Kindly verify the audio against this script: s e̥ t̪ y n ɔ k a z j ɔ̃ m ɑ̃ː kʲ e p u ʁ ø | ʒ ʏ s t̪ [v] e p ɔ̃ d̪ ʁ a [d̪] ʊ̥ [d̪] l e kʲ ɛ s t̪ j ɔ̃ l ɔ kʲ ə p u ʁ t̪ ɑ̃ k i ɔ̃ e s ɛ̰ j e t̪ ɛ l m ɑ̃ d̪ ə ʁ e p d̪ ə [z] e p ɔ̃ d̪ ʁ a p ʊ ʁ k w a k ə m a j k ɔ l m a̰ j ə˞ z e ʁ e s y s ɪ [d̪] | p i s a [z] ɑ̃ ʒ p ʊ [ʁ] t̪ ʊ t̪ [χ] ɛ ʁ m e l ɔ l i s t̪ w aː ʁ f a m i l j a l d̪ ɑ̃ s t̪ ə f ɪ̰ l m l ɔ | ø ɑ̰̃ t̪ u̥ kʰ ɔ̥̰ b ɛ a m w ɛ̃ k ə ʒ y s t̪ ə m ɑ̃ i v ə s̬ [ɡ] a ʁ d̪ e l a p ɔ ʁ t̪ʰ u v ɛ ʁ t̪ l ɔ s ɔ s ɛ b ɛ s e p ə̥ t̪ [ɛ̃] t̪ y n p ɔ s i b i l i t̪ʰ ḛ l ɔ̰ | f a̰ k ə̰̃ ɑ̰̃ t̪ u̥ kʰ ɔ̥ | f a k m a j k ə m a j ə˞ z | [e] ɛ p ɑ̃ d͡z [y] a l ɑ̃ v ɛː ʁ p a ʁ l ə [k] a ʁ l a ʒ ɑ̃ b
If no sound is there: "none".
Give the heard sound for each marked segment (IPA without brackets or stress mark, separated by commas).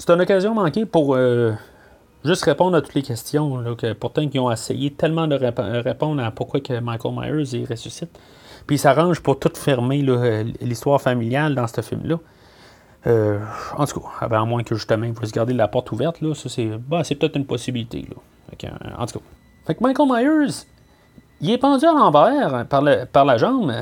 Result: ʁ, t̪, t̪, ʁ, t̪, ʁ, ʁ, f, ɡ, ɛ, i, y, p